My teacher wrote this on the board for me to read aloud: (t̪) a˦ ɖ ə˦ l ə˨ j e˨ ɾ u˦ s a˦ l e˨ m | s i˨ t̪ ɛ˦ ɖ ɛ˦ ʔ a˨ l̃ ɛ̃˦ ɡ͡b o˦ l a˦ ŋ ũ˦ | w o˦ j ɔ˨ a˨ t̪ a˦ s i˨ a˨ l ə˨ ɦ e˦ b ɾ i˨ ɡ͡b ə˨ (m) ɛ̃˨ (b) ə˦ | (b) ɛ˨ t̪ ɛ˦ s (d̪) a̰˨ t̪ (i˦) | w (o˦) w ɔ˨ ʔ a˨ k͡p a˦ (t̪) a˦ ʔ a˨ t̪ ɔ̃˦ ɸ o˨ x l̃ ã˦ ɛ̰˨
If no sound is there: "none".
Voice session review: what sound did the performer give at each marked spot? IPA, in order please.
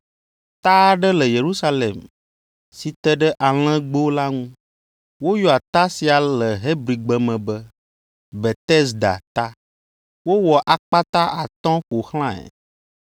t̪, m, b, b, d̪, a˦, o˦, t̪

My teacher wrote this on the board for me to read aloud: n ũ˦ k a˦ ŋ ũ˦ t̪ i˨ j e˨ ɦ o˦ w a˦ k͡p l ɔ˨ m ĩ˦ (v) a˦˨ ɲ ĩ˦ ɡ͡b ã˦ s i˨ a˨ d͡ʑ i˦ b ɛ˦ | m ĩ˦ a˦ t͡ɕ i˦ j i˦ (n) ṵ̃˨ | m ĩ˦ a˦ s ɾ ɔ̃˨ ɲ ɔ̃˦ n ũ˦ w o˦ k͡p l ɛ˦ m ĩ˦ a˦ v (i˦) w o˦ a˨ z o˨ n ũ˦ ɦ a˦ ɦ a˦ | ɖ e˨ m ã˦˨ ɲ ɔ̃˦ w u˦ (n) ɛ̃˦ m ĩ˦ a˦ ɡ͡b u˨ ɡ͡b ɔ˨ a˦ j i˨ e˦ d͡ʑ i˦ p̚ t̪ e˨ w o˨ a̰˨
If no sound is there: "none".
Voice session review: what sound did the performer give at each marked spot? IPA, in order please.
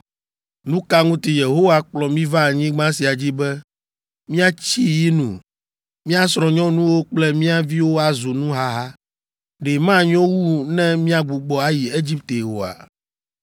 v, n, i˦, n

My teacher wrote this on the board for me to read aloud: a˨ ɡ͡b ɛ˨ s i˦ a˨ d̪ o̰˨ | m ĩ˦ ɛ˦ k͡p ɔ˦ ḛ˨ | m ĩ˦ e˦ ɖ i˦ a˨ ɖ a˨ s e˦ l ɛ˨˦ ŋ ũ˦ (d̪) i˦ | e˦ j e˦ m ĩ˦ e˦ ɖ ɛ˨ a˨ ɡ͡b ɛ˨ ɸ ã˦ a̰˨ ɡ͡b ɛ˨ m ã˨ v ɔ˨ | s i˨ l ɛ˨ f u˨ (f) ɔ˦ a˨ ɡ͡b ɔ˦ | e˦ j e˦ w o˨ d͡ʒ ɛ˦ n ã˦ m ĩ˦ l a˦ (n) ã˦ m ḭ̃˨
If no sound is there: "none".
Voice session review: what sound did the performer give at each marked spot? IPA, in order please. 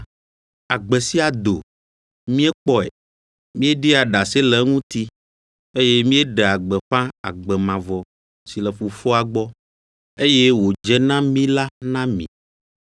t̪, f, n

